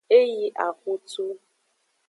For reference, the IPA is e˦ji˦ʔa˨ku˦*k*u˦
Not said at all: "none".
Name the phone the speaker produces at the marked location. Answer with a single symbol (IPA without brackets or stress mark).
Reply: t